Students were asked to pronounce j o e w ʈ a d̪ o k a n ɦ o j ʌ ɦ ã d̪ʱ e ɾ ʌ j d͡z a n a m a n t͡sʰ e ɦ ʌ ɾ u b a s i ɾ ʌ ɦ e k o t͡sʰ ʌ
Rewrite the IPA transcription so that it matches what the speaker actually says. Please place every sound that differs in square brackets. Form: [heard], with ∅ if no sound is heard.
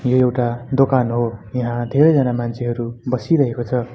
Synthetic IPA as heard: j o e w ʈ a d̪ o k a n ɦ o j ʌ ɦ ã d̪ʱ e ɾ ʌ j d͡z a n a m a n t͡sʰ e ɦ ʌ ɾ u b [ʌ] s i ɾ ʌ ɦ e k o t͡sʰ ʌ